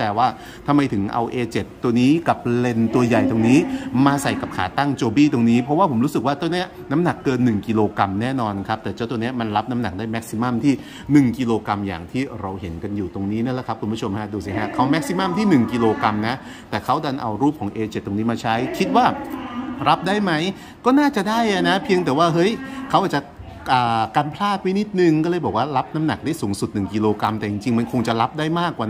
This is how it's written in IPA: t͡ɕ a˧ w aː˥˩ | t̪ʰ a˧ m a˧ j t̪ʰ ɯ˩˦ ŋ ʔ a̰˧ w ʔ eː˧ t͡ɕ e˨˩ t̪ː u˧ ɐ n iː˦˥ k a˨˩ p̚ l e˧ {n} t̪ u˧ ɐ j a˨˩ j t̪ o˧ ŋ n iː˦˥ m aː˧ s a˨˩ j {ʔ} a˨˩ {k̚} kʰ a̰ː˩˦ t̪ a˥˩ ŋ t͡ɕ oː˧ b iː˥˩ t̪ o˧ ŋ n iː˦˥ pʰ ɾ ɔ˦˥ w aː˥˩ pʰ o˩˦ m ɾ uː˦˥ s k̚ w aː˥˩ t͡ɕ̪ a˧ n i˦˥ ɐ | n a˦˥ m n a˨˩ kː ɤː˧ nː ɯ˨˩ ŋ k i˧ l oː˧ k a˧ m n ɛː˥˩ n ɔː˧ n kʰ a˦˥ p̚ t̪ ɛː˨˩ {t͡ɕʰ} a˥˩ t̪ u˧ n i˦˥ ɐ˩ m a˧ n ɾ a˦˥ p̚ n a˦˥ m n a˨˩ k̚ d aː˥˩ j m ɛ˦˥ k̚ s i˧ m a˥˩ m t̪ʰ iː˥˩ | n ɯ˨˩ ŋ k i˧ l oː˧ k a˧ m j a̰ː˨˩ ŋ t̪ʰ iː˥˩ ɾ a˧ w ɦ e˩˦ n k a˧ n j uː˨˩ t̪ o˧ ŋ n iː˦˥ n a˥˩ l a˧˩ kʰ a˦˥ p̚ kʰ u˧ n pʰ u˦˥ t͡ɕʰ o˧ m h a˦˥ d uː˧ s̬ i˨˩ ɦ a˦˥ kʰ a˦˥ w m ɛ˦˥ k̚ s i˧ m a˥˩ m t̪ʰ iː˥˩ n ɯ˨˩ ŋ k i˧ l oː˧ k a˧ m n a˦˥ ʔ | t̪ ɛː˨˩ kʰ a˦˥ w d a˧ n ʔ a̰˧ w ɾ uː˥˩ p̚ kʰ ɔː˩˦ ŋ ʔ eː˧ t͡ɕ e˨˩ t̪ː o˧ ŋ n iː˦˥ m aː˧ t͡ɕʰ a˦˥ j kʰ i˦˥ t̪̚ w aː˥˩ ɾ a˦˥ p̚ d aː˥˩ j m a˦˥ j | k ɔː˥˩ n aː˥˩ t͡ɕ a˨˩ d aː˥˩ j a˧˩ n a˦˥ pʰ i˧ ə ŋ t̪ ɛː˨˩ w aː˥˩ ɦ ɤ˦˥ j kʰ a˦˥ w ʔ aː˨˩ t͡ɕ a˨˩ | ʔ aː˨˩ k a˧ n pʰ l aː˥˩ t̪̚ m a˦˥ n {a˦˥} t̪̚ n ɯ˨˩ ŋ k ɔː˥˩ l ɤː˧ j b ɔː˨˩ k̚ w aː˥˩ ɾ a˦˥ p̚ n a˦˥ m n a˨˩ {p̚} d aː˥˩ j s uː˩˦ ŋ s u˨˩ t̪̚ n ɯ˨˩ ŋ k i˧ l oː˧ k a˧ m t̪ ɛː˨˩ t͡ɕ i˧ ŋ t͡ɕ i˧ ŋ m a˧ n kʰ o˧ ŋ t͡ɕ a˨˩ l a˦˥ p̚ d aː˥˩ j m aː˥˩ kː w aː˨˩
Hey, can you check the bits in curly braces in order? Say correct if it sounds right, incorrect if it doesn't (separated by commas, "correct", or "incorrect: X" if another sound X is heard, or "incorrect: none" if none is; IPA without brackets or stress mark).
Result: correct, incorrect: k, incorrect: p̚, incorrect: t͡ɕ, incorrect: i˦˥, incorrect: k̚